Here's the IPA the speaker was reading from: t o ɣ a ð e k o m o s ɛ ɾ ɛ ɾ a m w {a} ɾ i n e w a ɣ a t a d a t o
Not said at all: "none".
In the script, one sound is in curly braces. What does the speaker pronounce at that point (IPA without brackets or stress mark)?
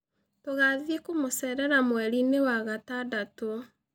ɛ